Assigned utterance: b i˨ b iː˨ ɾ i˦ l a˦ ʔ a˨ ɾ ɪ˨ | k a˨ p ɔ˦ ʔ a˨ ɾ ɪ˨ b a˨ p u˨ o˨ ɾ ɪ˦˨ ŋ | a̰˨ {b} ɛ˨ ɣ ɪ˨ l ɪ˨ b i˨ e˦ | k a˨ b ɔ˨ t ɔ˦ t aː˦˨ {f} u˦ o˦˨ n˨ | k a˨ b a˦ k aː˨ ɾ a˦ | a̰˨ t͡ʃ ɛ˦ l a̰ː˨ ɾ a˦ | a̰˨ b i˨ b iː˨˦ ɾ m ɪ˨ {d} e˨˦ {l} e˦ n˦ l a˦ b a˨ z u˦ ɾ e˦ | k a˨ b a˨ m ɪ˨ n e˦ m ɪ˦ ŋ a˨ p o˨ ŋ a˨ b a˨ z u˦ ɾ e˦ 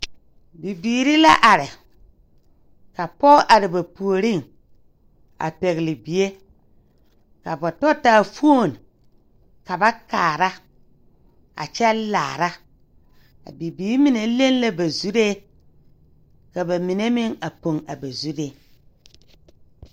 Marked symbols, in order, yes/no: no, yes, no, yes

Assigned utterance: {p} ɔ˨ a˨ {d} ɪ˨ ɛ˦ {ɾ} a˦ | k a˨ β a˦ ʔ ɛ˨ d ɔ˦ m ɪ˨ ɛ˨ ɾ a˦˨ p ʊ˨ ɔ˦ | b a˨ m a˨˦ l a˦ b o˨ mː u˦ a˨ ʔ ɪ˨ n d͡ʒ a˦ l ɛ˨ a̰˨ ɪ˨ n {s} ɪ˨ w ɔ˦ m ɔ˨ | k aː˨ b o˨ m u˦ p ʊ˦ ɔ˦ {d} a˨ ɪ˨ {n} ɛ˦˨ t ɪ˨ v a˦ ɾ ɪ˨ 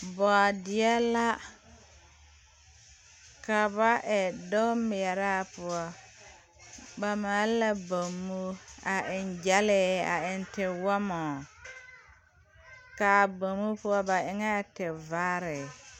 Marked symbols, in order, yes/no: no, yes, no, no, no, no

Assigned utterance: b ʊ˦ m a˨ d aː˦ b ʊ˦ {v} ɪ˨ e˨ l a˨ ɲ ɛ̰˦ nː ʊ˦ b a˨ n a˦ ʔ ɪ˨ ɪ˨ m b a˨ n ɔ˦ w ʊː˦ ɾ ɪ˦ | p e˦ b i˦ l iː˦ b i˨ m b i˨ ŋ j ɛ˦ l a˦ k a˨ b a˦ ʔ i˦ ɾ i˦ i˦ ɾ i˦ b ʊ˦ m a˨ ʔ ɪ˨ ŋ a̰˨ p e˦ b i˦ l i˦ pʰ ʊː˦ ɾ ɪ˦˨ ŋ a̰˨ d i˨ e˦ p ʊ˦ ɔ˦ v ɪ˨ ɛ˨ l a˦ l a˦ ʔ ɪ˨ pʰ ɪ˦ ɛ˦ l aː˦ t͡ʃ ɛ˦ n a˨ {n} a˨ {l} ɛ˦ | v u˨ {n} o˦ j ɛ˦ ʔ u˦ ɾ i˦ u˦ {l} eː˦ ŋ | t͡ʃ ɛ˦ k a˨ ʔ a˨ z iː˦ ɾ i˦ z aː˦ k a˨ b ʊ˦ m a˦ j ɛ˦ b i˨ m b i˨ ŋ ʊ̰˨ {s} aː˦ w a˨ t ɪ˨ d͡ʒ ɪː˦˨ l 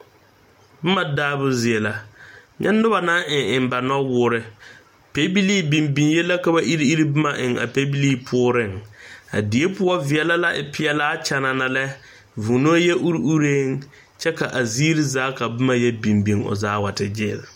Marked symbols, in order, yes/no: no, yes, yes, yes, no, no

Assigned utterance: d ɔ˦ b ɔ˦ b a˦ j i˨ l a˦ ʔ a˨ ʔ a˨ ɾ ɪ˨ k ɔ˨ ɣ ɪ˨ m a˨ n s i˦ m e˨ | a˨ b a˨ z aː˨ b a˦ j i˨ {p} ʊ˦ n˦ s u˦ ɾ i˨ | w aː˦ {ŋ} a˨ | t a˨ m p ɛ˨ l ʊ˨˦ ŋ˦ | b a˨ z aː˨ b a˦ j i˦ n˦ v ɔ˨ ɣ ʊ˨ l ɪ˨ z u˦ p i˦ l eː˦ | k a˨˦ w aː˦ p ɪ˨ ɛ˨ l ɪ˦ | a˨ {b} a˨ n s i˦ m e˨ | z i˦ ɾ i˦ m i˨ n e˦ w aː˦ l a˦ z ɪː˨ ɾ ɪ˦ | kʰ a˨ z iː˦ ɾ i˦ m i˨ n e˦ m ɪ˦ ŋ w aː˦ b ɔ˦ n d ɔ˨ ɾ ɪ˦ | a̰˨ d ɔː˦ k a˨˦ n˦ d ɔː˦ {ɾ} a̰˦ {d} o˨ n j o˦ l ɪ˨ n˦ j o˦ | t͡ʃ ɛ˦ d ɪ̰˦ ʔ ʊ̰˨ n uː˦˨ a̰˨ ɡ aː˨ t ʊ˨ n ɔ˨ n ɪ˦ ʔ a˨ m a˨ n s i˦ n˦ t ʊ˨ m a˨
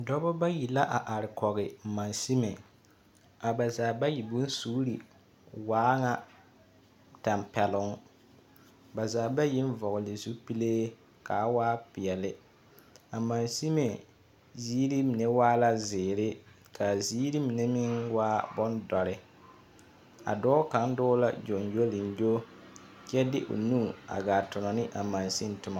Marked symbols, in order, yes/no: no, yes, no, no, no

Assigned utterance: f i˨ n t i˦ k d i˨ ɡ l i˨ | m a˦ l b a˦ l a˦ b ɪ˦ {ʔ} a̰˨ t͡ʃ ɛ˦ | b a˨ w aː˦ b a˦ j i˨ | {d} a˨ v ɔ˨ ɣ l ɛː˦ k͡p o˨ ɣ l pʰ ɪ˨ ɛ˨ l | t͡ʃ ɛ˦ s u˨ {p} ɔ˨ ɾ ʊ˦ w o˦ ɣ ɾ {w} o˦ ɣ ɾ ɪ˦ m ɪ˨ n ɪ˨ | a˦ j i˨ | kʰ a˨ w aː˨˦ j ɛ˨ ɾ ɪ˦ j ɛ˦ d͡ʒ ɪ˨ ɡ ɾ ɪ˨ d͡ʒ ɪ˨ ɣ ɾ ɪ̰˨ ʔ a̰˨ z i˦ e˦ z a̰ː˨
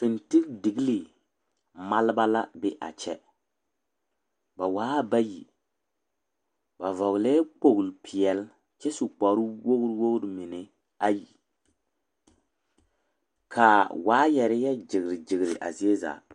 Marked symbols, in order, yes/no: yes, no, no, yes

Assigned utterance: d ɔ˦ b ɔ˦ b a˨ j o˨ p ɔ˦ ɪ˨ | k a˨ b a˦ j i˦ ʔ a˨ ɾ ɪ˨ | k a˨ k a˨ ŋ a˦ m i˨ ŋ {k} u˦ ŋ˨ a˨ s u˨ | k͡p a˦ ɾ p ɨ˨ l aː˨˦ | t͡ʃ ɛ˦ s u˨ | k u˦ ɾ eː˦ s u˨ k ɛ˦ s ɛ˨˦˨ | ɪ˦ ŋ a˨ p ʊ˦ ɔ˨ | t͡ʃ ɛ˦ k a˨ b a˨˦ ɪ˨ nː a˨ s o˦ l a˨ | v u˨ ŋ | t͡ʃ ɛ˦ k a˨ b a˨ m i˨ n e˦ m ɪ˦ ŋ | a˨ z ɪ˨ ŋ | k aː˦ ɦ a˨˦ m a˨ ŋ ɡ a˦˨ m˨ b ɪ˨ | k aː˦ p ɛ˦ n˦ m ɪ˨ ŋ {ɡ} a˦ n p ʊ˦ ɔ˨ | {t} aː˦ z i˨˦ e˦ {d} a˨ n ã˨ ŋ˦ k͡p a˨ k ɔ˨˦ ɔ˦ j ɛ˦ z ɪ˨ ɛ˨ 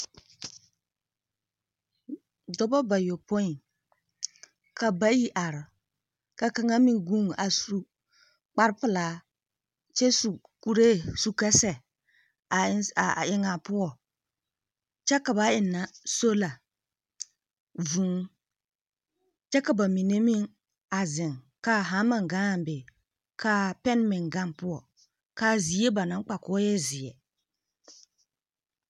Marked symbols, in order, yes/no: no, yes, no, no

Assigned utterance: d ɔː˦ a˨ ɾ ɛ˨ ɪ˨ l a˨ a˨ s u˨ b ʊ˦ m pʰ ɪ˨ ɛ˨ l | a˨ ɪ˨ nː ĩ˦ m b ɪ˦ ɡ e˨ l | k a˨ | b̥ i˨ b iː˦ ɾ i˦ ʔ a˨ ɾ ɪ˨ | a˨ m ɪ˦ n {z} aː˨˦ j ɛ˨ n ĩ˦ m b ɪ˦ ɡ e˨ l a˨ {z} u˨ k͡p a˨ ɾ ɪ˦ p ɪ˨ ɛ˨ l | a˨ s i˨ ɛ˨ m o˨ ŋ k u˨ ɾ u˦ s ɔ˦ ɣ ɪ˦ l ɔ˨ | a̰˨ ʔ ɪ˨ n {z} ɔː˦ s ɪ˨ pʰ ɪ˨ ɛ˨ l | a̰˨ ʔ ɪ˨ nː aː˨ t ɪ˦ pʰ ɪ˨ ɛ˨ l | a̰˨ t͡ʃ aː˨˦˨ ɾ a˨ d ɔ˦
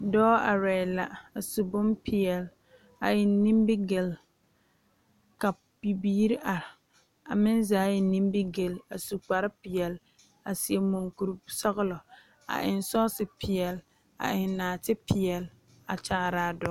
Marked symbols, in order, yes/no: yes, no, no

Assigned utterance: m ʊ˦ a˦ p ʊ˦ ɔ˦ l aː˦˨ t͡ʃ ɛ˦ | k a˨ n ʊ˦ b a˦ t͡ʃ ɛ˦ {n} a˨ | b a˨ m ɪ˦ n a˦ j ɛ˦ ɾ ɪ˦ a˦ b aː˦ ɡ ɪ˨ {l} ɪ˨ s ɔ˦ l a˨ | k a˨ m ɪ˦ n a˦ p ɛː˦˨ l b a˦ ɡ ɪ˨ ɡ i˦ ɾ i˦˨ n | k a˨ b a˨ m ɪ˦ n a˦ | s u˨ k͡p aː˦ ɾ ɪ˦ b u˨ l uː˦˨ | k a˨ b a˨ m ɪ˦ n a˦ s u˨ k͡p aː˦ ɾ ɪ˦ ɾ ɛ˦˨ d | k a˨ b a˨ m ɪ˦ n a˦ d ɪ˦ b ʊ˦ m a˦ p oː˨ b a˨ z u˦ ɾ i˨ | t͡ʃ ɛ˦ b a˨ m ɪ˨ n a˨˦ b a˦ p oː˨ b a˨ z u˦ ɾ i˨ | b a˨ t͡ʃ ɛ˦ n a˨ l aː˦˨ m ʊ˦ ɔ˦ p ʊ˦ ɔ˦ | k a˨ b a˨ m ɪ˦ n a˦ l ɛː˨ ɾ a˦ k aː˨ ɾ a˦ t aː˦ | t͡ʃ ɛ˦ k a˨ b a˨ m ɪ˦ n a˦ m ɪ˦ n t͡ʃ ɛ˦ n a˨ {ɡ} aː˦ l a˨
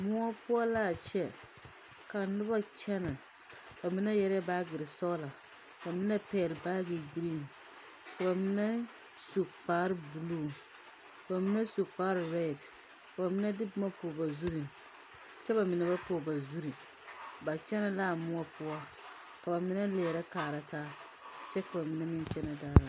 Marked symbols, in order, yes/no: yes, no, no

